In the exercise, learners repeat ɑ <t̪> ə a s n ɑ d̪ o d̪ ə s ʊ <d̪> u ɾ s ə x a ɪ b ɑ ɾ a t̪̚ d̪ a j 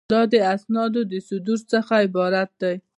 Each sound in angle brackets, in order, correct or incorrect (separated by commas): incorrect, correct